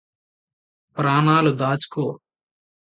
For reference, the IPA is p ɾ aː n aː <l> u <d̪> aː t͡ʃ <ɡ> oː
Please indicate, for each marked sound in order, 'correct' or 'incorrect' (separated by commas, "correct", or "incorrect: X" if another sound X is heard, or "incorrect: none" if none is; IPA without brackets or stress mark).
correct, correct, incorrect: k